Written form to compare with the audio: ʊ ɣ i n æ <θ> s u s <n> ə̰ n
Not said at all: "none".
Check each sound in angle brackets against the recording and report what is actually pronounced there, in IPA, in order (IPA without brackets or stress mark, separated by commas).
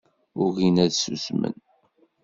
ð, m